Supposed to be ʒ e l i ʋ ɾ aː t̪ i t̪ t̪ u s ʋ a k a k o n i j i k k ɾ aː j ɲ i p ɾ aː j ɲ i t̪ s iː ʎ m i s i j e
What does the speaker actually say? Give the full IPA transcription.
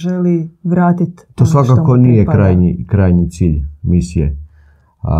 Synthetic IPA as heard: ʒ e l i ʋ ɾ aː t̪ i t̪ t̪ o s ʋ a k a k o n i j e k k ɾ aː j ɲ i k ɾ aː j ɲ i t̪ s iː ʎ m i s i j e